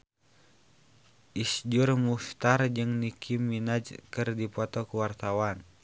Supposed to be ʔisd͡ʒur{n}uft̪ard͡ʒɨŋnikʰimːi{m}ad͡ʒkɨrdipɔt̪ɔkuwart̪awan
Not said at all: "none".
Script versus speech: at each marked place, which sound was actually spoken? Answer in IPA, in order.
m, n

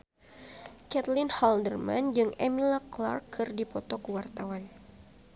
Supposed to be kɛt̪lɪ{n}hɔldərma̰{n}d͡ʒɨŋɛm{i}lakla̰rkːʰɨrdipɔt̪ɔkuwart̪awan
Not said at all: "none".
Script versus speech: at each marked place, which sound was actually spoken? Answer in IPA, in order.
n, n, i

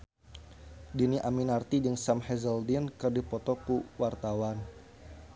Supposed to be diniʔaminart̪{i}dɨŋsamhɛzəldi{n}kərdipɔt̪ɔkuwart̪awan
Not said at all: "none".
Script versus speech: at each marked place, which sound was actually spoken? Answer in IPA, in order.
i, n

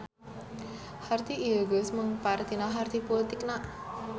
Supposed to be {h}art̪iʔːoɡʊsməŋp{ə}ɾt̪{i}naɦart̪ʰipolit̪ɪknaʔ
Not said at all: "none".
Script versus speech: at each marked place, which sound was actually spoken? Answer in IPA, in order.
h, a, i

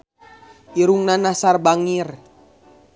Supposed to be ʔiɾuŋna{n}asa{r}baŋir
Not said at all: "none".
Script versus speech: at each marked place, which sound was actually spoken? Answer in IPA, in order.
n, r

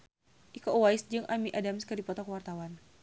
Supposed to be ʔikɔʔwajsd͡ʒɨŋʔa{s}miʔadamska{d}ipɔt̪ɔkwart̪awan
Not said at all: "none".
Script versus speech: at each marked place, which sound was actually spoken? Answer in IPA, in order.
none, d

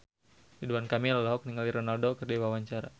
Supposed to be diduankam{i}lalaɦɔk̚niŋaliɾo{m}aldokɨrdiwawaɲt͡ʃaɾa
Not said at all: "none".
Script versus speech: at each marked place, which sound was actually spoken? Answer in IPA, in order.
i, n

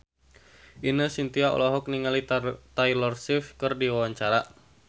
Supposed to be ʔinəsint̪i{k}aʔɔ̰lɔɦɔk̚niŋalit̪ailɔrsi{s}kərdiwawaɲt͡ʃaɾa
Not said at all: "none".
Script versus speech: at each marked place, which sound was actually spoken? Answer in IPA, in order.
none, f

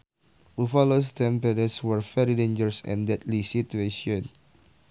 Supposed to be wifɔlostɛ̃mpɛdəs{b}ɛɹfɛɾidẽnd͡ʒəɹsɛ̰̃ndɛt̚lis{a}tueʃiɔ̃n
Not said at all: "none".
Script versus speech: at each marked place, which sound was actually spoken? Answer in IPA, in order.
w, i

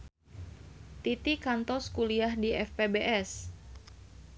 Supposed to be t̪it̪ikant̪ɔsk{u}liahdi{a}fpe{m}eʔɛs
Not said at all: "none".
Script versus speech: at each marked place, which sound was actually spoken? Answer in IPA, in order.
u, ɛ, b

